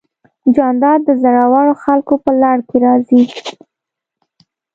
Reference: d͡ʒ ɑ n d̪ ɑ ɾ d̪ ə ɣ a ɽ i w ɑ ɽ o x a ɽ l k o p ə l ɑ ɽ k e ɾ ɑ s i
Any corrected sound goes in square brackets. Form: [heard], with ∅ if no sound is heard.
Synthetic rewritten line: d͡ʒ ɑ n d̪ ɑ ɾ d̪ ə [z] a ɽ [a] w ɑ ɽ o x a [∅] l k o p ə l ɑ ɽ k e ɾ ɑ [z] i